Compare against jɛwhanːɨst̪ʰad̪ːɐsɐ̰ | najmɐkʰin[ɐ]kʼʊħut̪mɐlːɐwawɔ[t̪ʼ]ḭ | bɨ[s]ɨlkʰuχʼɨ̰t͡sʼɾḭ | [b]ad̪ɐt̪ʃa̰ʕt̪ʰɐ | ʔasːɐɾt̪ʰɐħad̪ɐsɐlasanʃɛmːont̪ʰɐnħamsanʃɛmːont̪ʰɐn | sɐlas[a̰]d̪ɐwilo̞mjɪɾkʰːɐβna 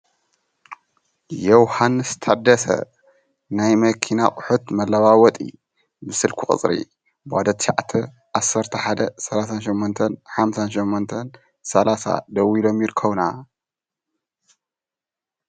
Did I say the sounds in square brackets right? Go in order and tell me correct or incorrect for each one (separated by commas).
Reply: incorrect, correct, correct, correct, correct